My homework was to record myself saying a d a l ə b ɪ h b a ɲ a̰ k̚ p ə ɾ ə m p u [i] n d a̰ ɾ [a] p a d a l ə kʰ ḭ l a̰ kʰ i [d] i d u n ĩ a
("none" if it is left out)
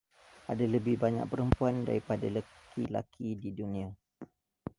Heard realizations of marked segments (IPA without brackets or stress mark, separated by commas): a, i, d